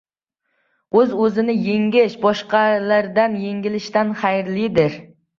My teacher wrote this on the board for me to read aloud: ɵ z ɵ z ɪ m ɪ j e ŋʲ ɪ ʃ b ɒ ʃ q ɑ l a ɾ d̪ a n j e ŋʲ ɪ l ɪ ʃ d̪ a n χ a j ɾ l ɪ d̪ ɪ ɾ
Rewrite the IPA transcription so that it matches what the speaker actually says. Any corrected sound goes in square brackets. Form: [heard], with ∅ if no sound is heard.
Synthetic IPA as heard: ɵ z ɵ z ɪ [n] ɪ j e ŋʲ ɪ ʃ b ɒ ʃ q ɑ l a ɾ d̪ a n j e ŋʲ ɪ l ɪ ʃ [t̪] a n χ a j ɾ l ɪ d̪ ɪ ɾ